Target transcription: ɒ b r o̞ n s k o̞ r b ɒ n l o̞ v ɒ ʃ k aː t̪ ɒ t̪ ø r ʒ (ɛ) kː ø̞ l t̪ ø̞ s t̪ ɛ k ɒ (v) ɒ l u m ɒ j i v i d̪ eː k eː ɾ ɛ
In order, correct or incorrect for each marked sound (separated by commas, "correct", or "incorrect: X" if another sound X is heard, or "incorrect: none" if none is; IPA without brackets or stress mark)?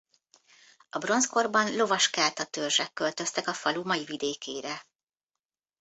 correct, incorrect: f